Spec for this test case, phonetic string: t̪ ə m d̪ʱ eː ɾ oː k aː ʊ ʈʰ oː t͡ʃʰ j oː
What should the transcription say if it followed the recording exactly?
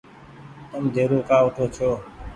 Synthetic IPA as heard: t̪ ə m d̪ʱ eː ɾ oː k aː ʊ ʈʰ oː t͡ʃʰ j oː